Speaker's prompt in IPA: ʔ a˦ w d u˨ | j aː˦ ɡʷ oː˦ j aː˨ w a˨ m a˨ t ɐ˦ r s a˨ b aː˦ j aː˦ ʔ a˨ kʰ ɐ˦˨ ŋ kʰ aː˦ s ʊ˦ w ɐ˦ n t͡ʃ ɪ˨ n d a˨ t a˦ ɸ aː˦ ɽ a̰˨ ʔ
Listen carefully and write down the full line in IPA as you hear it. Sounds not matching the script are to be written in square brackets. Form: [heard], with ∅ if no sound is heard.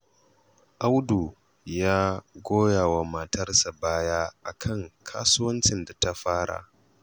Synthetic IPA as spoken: ʔ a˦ w d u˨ | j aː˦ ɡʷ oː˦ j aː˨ w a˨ m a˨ t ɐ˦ r s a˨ b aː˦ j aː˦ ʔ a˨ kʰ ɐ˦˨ ŋ kʰ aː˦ s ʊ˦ w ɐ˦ n t͡ʃ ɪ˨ n d a˨ t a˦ ɸ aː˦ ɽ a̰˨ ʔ

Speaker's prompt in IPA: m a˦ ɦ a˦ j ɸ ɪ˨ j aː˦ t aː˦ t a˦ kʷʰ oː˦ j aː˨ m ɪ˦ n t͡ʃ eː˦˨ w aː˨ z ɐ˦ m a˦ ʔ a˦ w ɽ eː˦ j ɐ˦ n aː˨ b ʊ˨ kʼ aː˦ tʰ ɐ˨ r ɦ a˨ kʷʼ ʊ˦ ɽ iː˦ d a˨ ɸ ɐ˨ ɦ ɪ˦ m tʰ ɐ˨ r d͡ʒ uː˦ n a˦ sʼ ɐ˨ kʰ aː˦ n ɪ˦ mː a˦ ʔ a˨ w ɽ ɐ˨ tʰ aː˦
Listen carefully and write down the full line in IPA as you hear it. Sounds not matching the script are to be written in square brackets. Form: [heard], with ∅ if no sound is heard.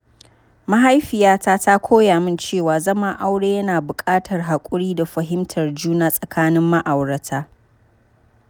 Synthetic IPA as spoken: m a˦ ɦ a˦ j ɸ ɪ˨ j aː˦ t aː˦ t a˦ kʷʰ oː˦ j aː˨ m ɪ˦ n t͡ʃ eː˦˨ w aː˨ z ɐ˦ m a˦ ʔ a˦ w ɽ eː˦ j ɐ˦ n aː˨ b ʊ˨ kʼ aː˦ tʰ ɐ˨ r ɦ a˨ kʷʼ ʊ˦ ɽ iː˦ d a˨ ɸ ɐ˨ ɦ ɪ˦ m tʰ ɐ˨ r d͡ʒ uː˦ n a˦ sʼ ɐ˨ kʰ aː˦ n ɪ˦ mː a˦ ʔ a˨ w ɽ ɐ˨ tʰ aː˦

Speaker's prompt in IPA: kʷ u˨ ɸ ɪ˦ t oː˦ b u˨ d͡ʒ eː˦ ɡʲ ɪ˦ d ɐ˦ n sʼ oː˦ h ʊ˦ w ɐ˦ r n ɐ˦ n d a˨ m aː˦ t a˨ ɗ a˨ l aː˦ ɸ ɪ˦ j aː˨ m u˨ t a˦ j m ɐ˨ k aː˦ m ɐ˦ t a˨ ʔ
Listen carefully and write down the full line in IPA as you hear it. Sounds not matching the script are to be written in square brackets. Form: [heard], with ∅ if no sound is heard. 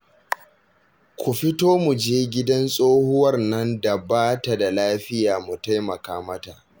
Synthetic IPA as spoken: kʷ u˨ ɸ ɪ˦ t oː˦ [m] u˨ d͡ʒ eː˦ ɡʲ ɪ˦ d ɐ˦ n sʼ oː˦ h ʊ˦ w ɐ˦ r n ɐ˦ n d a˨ [b] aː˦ t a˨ [d] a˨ l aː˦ ɸ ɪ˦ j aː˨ m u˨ t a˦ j m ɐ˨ k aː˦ m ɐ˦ t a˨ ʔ

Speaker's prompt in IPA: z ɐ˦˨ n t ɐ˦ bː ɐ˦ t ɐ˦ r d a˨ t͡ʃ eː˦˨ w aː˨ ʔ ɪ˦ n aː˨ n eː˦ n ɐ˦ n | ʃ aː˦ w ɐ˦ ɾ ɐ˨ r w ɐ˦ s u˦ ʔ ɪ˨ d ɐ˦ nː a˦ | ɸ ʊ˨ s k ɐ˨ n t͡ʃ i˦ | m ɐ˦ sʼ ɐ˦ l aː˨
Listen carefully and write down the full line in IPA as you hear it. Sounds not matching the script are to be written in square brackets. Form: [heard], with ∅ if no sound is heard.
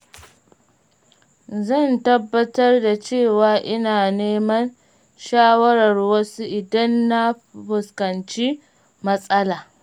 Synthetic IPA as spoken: z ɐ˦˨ n t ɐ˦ bː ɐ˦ t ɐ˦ r d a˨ t͡ʃ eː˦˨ w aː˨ ʔ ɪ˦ n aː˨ n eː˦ [m] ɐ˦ n | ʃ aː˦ w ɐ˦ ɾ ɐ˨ r w ɐ˦ s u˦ ʔ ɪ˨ d ɐ˦ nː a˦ | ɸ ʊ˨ s k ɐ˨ n t͡ʃ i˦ | m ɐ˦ sʼ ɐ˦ l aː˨

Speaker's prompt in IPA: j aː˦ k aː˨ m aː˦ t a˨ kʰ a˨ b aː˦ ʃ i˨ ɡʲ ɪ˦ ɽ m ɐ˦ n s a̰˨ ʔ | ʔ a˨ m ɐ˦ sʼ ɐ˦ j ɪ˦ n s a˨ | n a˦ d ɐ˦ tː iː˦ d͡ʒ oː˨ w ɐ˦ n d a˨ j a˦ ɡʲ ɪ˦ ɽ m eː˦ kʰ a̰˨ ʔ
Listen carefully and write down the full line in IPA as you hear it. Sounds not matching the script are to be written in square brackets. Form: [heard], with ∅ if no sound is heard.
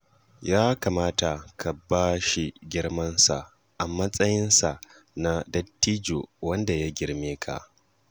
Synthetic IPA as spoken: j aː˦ k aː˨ m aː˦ t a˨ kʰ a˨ b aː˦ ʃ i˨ ɡʲ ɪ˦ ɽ m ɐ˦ n s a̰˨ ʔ | ʔ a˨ m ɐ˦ sʼ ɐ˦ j ɪ˦ n s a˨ | n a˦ d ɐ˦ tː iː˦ d͡ʒ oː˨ w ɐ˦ n d a˨ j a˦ ɡʲ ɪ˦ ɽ m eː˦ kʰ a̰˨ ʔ

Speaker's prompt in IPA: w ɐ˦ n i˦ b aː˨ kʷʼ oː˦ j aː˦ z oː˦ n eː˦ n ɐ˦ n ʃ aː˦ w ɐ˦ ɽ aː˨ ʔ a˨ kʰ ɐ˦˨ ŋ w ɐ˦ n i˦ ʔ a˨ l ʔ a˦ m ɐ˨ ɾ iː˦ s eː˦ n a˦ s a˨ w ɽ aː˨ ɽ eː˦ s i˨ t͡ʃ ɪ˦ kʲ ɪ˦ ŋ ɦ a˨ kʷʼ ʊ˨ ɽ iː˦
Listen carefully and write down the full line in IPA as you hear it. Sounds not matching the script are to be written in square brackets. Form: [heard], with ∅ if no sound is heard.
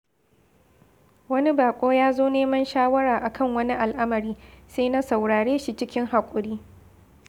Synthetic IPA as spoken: w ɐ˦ n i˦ b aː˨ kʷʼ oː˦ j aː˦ z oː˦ n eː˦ [m] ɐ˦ n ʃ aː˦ w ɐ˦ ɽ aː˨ ʔ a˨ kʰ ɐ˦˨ ŋ w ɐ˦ n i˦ ʔ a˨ l ʔ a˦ m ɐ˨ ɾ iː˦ s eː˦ n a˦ s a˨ w ɽ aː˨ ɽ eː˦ [ʃ] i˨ t͡ʃ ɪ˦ kʲ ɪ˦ ŋ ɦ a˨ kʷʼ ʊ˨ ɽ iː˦

